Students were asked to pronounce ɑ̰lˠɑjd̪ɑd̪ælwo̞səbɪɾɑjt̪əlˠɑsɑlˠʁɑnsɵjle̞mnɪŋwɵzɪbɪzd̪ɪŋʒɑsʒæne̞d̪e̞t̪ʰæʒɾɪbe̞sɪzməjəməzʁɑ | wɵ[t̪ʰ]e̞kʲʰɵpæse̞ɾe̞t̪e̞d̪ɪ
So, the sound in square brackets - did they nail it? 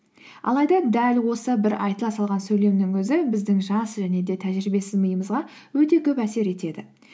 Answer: no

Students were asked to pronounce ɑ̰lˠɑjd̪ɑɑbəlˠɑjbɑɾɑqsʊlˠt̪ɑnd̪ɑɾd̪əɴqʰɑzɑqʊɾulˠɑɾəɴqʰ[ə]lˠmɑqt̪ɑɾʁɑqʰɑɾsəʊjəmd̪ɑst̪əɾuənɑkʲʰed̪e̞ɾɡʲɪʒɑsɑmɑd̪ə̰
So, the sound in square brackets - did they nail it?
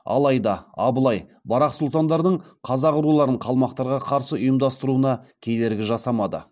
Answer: no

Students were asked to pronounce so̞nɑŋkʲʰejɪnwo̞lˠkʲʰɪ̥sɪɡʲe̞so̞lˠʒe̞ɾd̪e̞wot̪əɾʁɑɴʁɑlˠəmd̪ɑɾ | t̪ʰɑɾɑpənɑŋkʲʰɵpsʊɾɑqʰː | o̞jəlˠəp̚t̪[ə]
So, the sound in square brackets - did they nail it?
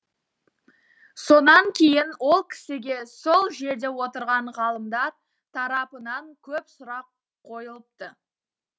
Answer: yes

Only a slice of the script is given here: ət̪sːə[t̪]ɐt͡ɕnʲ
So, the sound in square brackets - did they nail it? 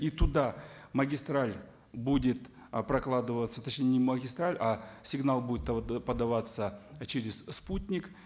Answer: yes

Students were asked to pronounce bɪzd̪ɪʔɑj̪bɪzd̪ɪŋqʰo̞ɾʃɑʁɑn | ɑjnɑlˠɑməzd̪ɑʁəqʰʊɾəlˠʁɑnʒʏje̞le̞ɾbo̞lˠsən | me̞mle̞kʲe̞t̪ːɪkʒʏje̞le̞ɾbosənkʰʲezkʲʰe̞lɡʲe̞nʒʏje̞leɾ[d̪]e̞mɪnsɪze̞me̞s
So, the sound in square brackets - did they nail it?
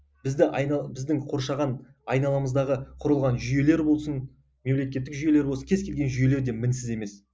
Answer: yes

